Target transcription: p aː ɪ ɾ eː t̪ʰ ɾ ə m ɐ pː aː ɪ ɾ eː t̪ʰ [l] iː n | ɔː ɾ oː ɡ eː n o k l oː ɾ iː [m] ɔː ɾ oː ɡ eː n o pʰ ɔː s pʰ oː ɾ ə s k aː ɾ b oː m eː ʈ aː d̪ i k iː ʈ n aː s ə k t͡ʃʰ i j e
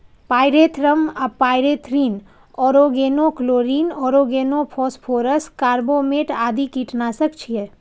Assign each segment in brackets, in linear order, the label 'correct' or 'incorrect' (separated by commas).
incorrect, incorrect